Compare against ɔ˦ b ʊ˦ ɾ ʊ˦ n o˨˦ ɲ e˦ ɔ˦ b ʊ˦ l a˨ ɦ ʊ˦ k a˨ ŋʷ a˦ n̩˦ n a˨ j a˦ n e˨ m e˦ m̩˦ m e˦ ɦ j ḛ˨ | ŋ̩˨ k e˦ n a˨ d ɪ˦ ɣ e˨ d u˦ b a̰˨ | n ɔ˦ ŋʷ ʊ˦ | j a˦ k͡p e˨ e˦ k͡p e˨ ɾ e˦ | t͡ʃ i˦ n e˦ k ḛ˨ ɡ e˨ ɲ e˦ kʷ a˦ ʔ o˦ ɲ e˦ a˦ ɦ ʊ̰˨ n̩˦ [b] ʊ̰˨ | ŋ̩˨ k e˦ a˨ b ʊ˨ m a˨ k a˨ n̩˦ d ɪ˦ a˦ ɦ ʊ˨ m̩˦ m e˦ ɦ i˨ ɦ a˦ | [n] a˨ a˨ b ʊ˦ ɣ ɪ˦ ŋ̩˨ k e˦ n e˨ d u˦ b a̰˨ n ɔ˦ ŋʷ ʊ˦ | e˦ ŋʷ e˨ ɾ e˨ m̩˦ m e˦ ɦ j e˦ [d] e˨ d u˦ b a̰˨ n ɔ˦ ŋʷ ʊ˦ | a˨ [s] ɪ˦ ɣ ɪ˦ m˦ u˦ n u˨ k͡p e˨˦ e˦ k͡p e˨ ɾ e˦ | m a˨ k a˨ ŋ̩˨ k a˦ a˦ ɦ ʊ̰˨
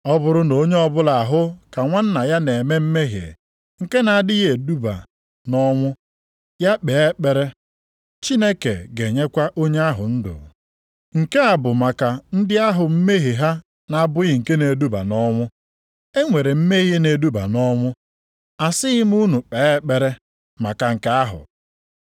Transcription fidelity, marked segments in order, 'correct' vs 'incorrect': incorrect, correct, incorrect, correct

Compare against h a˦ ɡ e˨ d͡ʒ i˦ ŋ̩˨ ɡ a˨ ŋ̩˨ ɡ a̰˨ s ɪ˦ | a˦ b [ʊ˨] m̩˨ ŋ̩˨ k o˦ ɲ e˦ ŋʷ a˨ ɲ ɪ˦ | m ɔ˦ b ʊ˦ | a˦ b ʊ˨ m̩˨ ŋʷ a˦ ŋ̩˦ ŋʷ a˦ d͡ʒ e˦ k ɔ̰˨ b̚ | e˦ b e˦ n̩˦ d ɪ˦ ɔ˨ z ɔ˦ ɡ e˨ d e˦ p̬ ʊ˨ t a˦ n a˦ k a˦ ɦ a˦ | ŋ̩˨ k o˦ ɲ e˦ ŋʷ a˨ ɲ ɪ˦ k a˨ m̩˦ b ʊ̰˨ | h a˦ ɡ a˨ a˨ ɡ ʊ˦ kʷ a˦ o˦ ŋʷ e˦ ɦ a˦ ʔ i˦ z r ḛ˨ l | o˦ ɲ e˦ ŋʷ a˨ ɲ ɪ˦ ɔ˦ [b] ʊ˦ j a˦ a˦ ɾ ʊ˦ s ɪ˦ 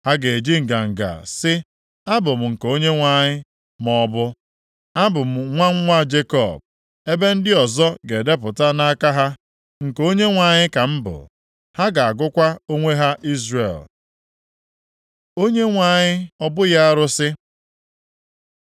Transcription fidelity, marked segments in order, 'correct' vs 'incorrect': correct, correct

